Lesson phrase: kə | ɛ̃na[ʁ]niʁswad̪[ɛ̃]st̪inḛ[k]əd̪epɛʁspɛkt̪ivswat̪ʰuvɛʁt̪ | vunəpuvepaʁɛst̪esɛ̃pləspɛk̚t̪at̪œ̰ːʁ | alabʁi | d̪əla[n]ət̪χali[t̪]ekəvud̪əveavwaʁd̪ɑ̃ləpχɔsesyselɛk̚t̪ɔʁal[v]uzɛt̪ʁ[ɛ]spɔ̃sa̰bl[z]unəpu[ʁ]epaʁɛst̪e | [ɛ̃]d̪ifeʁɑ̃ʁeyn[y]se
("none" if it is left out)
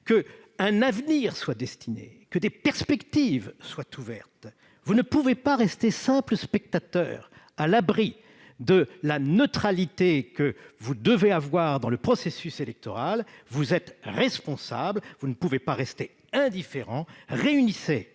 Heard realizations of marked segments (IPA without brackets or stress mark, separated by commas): v, ɛ, k, n, t̪, v, ɛ, v, v, ɛ̃, i